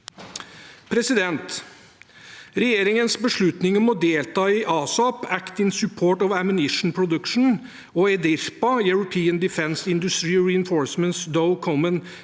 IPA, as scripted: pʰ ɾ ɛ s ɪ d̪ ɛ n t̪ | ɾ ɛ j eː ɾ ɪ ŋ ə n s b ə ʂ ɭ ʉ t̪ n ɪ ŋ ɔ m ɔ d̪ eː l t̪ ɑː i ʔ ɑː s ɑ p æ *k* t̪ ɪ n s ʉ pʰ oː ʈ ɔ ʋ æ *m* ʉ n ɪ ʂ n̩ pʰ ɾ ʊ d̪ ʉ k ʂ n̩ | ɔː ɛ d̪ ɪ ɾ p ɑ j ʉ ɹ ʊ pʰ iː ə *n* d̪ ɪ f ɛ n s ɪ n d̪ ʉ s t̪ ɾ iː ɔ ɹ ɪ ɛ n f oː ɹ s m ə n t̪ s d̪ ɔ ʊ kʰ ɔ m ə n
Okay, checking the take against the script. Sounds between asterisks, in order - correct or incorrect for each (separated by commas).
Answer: correct, correct, correct